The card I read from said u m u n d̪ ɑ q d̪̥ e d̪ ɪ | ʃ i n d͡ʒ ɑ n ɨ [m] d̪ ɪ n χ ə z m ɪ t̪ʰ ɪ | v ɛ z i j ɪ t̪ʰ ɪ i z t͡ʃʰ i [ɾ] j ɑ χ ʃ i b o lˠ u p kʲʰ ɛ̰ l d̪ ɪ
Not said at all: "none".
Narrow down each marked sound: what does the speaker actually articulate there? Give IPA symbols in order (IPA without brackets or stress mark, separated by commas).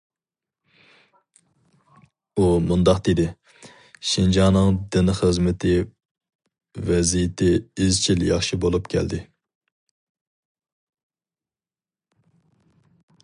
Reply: ŋ, l